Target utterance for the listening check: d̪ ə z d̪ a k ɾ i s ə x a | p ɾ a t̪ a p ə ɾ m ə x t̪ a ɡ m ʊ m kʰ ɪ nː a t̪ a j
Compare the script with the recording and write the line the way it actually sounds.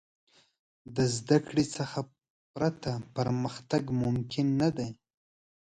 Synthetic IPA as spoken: d̪ ə z d̪ a k ɽ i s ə x a | p ɾ a t̪ a p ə ɾ m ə x t̪ a ɡ m ʊ m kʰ ɪ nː a d̪ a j